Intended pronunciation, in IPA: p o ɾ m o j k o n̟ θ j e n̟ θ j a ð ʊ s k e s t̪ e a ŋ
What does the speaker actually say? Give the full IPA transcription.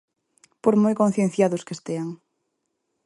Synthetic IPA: p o ɾ m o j k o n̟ θ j e n̟ θ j a ð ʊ s k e s t̪ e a ŋ